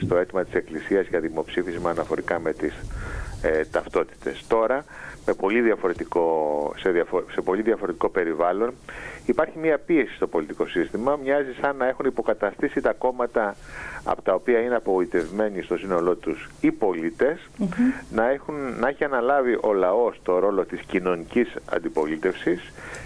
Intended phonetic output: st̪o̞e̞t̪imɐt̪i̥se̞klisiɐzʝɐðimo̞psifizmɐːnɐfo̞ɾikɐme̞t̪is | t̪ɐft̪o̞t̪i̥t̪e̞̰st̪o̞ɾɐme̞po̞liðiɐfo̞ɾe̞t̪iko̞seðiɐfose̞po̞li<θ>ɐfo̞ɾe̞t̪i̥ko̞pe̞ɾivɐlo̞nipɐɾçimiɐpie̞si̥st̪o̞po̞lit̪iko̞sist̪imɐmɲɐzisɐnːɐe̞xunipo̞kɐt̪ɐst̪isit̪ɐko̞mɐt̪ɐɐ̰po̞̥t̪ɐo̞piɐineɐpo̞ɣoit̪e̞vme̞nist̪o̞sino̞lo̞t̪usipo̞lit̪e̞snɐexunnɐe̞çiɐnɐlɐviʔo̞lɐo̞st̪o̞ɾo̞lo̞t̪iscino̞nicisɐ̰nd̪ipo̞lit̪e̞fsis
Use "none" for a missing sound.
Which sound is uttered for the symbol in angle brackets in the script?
ð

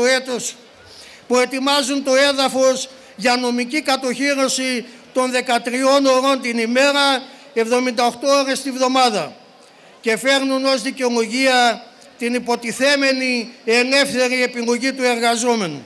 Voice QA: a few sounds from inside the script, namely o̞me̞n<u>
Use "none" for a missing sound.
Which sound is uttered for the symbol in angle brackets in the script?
u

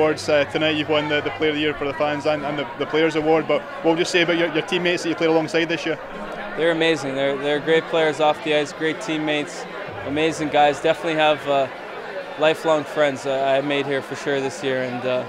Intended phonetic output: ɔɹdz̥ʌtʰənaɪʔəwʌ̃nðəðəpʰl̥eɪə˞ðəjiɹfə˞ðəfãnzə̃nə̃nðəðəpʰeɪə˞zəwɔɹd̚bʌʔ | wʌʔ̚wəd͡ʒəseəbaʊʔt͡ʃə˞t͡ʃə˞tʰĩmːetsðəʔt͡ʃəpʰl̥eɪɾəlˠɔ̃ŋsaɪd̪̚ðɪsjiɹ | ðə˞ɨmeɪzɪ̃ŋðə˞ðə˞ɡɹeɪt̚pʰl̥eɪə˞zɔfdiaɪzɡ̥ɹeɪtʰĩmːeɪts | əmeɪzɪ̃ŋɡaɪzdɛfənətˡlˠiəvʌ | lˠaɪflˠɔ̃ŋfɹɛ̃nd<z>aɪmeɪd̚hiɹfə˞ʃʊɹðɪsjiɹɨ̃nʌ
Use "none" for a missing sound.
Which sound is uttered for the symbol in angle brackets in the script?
z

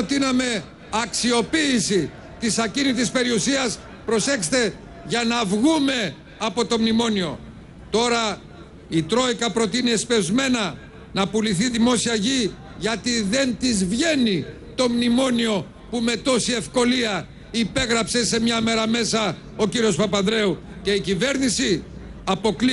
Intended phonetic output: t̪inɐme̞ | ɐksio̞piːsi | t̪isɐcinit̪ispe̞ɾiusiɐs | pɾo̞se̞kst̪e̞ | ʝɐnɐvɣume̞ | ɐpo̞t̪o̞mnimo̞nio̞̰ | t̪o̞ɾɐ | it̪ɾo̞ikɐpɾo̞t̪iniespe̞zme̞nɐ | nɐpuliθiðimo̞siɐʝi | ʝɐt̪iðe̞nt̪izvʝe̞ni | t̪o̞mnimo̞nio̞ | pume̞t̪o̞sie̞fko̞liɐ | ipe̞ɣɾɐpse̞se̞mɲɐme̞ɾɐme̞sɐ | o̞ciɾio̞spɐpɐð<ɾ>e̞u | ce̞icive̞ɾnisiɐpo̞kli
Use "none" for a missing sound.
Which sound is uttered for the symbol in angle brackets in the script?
ɾ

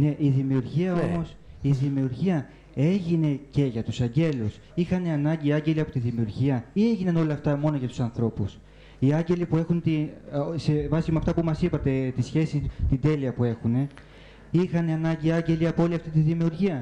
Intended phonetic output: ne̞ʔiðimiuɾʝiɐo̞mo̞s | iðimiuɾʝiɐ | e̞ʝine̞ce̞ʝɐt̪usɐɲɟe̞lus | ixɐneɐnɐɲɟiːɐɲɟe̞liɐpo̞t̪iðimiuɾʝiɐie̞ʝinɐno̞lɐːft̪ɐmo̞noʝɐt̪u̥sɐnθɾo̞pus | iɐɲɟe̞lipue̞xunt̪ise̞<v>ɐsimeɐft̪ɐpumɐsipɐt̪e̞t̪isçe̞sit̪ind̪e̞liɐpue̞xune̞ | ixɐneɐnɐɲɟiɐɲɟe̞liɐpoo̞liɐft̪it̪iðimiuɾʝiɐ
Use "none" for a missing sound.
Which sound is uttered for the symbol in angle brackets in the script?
v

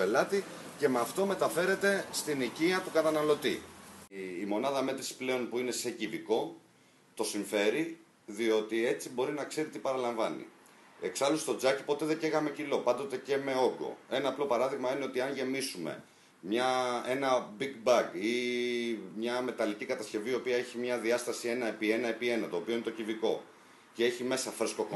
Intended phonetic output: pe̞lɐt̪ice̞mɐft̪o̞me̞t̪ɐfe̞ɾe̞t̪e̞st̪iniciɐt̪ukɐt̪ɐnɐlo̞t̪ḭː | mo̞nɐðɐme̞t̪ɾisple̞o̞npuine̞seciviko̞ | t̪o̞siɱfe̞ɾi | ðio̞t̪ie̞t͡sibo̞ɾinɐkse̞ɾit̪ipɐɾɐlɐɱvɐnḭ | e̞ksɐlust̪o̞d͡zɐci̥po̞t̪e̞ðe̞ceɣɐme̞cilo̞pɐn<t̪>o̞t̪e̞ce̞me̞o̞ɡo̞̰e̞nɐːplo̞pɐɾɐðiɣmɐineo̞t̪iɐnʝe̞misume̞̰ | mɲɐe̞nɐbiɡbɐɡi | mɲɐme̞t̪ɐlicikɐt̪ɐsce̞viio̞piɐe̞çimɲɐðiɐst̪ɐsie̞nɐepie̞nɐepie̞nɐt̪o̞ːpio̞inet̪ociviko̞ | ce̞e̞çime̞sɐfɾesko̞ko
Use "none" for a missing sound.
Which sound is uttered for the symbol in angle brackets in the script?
d̪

